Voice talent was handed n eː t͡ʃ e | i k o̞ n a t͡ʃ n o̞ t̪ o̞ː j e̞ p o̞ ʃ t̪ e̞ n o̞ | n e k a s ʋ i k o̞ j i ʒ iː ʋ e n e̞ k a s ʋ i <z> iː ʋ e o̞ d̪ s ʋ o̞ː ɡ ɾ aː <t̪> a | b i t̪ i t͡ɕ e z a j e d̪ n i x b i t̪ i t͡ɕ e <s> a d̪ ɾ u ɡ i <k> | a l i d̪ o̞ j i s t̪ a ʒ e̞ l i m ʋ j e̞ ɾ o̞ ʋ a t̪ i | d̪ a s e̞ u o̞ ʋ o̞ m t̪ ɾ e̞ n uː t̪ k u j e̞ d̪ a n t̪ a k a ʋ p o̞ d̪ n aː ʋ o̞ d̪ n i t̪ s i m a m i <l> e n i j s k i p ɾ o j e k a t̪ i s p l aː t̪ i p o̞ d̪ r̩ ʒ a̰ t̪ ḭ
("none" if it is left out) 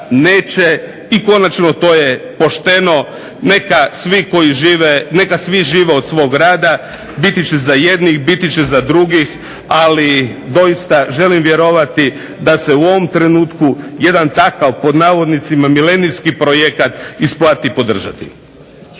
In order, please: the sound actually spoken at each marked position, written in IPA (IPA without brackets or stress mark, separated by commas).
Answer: ʒ, d̪, z, x, l